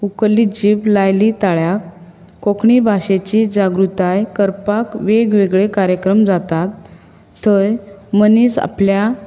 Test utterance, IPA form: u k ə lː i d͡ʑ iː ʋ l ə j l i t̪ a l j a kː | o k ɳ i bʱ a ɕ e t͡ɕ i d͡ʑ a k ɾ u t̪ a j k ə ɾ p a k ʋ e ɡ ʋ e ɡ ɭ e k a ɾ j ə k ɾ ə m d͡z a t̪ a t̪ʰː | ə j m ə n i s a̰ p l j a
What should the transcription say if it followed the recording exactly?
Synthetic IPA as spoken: u k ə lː i d͡ʑ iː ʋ l a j l i t̪ a ɭ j a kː | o k ɳ i bʱ a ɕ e t͡ɕ i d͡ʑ a ɡ ɾ u t̪ a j k ə ɾ p a k ʋ e ɡ ʋ e ɡ ɭ e k a ɾ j ə k ɾ ə m d͡z a t̪ a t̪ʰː | ə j m ə n i s a̰ p l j a